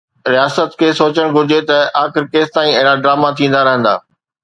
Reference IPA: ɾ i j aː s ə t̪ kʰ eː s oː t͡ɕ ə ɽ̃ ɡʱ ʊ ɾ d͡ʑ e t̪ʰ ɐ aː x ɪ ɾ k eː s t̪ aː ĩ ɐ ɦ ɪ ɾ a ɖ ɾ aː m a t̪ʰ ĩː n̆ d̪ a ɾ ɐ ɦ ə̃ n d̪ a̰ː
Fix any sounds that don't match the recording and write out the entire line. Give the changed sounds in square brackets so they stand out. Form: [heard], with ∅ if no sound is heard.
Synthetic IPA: ɾ i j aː s ə t̪ kʰ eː s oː t͡ɕ ə ɽ̃ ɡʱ ʊ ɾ d͡ʑ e [t̪] ɐ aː x ɪ ɾ k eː s t̪ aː ĩ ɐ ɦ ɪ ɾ a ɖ ɾ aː m a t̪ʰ ĩː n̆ d̪ a ɾ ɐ ɦ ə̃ n d̪ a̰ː